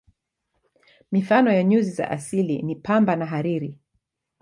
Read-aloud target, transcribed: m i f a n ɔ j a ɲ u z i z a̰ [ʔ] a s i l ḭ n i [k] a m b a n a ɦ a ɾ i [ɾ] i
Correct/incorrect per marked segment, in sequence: correct, incorrect: p, correct

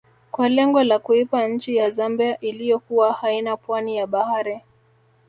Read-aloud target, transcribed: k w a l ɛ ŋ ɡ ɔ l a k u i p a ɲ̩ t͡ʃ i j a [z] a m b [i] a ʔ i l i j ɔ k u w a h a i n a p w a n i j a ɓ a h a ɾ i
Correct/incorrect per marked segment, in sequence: correct, correct

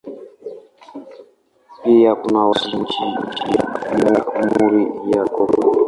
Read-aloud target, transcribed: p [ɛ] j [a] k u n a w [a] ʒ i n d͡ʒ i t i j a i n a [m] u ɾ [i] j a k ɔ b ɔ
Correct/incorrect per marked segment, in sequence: incorrect: i, correct, correct, correct, correct

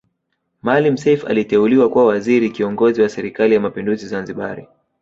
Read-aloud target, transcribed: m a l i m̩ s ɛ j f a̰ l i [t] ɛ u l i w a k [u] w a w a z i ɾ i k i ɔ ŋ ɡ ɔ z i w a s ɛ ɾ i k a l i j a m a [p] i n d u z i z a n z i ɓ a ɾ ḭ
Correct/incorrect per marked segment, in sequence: correct, correct, correct

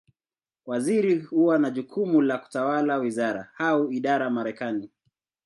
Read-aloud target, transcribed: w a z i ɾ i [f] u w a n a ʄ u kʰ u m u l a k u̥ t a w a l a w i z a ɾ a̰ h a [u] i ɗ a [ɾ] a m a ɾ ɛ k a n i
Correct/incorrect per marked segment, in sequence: incorrect: h, correct, correct

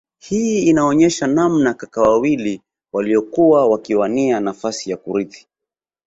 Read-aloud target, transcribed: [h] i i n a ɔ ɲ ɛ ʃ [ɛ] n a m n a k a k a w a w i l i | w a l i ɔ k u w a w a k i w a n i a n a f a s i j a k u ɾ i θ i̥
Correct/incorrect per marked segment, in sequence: correct, incorrect: a

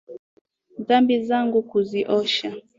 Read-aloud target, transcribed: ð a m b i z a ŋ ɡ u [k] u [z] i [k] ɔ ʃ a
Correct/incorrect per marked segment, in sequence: correct, correct, incorrect: ʔ

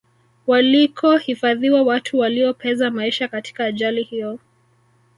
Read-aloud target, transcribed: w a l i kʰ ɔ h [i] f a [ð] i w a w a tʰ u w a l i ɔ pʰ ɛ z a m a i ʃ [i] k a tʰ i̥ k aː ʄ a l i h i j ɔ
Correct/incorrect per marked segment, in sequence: correct, correct, incorrect: a

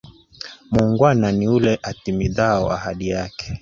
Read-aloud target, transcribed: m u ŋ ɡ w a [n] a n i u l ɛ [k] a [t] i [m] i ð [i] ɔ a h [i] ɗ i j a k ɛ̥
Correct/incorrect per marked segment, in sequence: correct, incorrect: ʔ, correct, correct, incorrect: a, incorrect: a

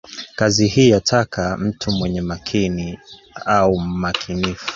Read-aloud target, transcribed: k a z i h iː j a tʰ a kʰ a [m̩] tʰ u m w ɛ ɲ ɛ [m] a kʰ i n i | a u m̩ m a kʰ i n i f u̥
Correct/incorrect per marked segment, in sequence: correct, correct

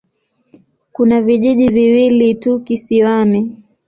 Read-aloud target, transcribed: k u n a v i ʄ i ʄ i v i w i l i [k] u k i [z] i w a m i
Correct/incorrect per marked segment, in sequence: incorrect: t, incorrect: s

